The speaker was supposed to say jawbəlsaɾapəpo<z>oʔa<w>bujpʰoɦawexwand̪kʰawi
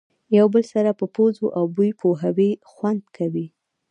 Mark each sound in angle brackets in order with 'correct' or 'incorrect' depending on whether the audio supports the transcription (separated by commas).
correct, correct